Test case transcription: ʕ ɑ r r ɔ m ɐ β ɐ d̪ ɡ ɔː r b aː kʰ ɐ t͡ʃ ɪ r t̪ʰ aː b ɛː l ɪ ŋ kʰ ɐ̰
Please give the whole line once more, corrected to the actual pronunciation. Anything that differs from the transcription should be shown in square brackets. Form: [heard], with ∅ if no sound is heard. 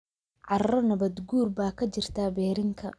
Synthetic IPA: ʕ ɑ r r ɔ [n] ɐ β ɐ d̪ ɡ [uː] r b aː kʰ ɐ t͡ʃ ɪ r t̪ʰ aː b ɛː [ɾ] ɪ ŋ kʰ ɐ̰

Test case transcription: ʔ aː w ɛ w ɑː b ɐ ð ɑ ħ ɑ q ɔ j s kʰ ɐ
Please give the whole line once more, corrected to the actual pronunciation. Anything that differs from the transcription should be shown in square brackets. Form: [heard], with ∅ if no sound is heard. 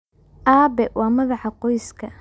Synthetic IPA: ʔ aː [b] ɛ w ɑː [m] ɐ ð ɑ ħ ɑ q ɔ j s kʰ ɐ

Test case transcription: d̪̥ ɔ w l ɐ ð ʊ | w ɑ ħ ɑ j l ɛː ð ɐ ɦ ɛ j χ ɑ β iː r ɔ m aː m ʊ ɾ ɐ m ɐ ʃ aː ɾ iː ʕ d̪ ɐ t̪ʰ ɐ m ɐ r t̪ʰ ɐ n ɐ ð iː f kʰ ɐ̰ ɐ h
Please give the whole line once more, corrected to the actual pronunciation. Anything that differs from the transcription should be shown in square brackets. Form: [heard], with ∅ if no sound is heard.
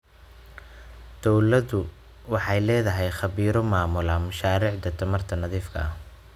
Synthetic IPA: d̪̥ ɔ w l ɐ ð ʊ | w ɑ ħ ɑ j l ɛː ð ɐ ɦ ɛ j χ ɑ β iː [ɾ] ɔ m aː m ʊ [l] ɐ m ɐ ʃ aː ɾ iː ʕ d̪ ɐ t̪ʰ ɐ m ɐ r t̪ʰ ɐ n ɐ ð iː f kʰ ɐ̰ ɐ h

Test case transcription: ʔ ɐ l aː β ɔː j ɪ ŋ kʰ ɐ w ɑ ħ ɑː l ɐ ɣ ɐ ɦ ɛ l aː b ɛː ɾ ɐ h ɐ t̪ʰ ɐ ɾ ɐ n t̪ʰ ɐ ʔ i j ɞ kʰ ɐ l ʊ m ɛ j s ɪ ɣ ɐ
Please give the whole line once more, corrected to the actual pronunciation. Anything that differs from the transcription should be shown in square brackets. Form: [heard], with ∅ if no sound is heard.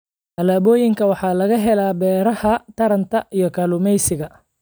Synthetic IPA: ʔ ɐ l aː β ɔː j ɪ ŋ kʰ ɐ w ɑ ħ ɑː l ɐ ɣ ɐ ɦ ɛ l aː b ɛː ɾ ɐ h ɐ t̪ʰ ɐ ɾ ɐ n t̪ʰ ɐ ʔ i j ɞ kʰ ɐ l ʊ m ɛ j s ɪ ɣ ɐ

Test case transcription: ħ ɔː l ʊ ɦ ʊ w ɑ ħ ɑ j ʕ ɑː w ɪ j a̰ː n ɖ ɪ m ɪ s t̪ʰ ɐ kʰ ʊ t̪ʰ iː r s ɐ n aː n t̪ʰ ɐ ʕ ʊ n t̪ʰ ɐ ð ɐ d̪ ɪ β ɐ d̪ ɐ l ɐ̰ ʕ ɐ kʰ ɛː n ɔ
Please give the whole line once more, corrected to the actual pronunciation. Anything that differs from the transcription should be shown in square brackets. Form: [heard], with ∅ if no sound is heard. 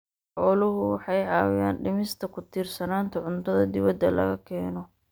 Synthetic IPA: ħ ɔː l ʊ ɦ ʊ w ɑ ħ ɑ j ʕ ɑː w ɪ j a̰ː n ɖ ɪ m ɪ s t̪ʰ ɐ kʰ ʊ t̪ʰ iː r s ɐ n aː n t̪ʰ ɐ ʕ ʊ n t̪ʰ ɐ ð ɐ d̪ ɪ β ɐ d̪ ɐ l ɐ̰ [ɣ] ɐ kʰ ɛː n ɔ

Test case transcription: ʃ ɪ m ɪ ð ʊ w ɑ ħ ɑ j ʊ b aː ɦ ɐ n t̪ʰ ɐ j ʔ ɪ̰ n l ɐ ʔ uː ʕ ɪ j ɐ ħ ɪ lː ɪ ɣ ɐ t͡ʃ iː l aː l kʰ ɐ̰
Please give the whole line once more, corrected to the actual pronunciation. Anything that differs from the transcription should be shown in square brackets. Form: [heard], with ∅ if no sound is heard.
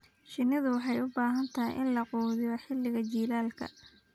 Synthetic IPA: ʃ ɪ [n] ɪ ð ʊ w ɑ ħ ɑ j ʊ b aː ɦ ɐ n t̪ʰ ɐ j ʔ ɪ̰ n l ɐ [q] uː [ð] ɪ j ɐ ħ ɪ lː ɪ ɣ ɐ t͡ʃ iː l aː l kʰ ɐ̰

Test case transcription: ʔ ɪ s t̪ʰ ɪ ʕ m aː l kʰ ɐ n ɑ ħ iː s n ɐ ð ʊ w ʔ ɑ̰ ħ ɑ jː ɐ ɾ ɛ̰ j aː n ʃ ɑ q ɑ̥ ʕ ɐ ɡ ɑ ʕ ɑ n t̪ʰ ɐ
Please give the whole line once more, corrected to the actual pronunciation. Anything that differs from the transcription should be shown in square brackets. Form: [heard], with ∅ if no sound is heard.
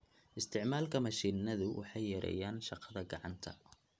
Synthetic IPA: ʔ ɪ s t̪ʰ ɪ ʕ m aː l kʰ ɐ [m] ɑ [ʃ] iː [∅] n ɐ ð ʊ w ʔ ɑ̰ ħ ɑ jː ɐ ɾ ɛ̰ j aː n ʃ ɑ q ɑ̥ [ð] ɐ ɡ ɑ ʕ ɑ n t̪ʰ ɐ

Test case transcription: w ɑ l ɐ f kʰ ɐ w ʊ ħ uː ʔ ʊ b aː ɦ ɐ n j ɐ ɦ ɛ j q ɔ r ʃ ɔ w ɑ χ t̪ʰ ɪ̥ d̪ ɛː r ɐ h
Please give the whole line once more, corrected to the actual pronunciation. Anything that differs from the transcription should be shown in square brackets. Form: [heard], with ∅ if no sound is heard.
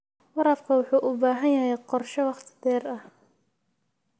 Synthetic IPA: w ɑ [ɾ] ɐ f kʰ ɐ w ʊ ħ uː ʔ ʊ b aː ɦ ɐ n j ɐ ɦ ɛ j q ɔ r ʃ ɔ w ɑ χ t̪ʰ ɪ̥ d̪ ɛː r ɐ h

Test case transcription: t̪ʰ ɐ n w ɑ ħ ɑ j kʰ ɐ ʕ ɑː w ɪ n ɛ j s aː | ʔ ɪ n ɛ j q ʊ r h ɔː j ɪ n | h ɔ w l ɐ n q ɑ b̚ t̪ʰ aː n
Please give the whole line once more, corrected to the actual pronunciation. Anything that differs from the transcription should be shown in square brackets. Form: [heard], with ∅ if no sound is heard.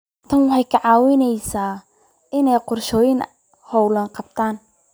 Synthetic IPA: t̪ʰ ɐ n w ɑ ħ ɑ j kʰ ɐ ʕ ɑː w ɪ n ɛ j s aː | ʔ ɪ n ɛ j q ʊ r [ʃ] ɔː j ɪ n | h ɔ w l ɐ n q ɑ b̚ t̪ʰ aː n

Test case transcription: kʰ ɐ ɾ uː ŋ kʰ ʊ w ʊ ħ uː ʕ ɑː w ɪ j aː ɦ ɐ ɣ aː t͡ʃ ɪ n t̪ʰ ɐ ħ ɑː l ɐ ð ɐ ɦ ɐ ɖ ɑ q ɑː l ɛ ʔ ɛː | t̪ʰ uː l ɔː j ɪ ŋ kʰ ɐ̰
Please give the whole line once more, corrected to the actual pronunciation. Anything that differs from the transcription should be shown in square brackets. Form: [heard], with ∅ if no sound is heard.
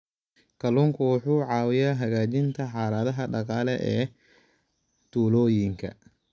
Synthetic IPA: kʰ ɐ [l] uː ŋ kʰ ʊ w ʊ ħ uː ʕ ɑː w ɪ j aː ɦ ɐ ɣ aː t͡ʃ ɪ n t̪ʰ ɐ ħ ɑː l ɐ ð ɐ ɦ ɐ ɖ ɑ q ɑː l ɛ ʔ ɛː | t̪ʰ uː l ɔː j ɪ ŋ kʰ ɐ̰

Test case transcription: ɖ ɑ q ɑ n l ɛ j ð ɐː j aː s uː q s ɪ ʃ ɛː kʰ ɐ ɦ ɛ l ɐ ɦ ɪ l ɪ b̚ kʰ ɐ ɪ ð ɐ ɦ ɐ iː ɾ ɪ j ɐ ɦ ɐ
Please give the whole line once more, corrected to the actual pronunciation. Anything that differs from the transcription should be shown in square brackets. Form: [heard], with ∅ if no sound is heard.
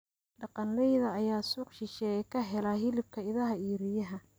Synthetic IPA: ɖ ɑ q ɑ n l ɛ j ð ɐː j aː s uː q [ʃ] ɪ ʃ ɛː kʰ ɐ ɦ ɛ l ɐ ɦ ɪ l ɪ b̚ kʰ ɐ ɪ ð ɐ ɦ ɐ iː ɾ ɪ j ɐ ɦ ɐ

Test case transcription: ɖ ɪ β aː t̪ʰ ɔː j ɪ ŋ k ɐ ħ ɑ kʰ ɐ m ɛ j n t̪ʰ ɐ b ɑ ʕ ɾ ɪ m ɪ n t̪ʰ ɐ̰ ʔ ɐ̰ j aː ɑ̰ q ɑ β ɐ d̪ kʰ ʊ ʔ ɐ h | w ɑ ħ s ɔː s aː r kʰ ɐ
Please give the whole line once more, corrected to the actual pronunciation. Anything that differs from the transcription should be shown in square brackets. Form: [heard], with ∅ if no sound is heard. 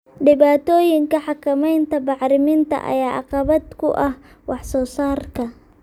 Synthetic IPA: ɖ ɪ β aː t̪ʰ ɔː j ɪ ŋ k ɐ ħ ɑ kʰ ɐ m ɛ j n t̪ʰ ɐ b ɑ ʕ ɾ ɪ m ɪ n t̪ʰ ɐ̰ ʔ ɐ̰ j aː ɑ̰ q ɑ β ɐ d̪ kʰ ʊ ʔ ɐ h | w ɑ ħ s ɔː s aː r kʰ ɐ

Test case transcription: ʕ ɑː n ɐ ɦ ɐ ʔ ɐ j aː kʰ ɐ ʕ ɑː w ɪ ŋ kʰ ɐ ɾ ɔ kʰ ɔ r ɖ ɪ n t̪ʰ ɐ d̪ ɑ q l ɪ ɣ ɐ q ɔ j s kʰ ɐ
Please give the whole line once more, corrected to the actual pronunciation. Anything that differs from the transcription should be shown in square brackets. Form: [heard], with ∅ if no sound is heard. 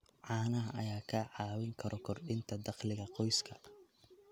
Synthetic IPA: ʕ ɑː n ɐ ɦ ɐ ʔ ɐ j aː kʰ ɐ ʕ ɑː w ɪ ŋ kʰ ɐ ɾ ɔ kʰ ɔ r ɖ ɪ n t̪ʰ ɐ d̪ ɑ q l ɪ ɣ ɐ q ɔ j s kʰ ɐ

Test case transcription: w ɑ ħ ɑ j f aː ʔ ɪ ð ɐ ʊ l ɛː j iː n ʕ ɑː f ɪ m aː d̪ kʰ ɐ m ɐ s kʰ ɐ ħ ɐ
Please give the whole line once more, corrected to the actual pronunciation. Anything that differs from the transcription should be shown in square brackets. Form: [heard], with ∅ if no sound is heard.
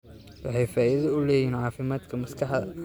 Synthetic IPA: w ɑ ħ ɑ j f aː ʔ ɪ ð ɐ ʊ l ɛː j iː n ʕ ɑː f ɪ m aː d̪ kʰ ɐ m ɐ s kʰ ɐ ħ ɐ

